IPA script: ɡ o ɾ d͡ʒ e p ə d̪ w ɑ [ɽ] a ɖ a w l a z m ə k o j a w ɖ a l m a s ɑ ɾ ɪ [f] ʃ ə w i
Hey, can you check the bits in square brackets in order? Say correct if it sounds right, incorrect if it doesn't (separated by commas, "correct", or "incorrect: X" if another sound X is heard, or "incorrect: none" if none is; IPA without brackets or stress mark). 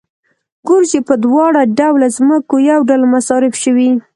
correct, correct